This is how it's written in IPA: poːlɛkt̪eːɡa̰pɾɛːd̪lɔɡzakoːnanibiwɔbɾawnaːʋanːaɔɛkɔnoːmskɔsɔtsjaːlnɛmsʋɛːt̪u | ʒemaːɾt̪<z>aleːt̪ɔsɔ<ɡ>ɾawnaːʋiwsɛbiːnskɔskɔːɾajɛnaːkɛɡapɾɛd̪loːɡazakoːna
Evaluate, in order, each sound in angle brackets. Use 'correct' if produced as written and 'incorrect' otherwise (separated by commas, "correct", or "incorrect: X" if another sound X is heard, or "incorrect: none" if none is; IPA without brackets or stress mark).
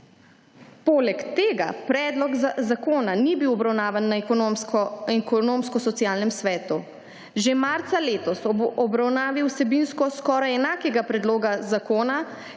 incorrect: s, incorrect: b